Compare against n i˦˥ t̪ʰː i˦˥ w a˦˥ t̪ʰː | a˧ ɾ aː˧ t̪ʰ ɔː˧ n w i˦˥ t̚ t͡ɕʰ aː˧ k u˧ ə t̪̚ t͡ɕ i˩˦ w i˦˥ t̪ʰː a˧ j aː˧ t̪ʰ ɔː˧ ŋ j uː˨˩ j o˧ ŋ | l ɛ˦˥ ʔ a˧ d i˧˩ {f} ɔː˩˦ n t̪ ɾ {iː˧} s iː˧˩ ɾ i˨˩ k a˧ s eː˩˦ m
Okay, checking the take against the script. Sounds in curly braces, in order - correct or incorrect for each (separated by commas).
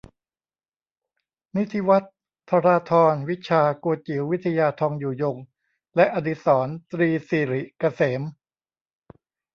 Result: incorrect, correct